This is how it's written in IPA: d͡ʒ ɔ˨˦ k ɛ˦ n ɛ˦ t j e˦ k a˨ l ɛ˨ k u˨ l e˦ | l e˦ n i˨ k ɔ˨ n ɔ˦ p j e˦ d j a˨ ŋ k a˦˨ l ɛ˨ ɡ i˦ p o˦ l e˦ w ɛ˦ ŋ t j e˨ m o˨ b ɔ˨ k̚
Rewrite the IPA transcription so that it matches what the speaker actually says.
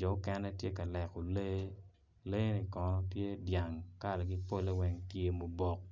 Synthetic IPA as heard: d͡ʒ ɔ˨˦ k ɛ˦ n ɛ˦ t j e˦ k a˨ l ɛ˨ k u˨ l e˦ | l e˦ n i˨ k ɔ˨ n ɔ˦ p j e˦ d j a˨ ŋ k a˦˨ l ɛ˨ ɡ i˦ p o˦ l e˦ w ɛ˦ ŋ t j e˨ m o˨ b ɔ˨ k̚